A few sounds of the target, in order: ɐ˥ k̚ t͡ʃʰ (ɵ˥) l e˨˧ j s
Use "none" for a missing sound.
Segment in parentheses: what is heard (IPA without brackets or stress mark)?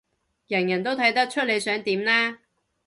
ɵ˥